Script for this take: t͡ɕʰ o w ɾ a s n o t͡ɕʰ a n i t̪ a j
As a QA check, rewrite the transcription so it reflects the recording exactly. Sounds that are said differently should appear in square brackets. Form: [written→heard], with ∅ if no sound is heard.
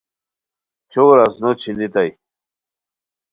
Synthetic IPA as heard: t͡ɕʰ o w ɾ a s n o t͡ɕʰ [a→i] n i t̪ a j